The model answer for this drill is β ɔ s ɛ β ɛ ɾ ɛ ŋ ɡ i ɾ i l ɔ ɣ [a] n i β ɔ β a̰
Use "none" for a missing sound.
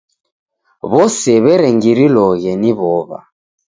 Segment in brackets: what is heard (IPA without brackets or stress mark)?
ɛ